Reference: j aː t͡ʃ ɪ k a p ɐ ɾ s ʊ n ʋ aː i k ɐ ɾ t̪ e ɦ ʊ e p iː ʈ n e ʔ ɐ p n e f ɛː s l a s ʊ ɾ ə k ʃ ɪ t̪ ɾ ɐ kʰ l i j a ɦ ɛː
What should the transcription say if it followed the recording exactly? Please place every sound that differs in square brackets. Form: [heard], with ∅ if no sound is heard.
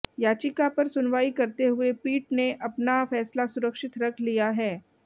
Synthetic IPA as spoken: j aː t͡ʃ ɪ k a p ɐ ɾ s ʊ n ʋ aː i k ɐ ɾ t̪ e ɦ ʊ e p iː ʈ n e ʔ ɐ p n [a] f ɛː s l a s ʊ ɾ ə k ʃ ɪ t̪ ɾ ɐ kʰ l i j a ɦ ɛː